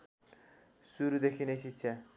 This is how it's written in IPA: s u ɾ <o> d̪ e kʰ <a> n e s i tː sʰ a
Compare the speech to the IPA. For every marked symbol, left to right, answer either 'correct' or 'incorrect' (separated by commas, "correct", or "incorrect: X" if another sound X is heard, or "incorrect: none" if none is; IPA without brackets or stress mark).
incorrect: u, incorrect: i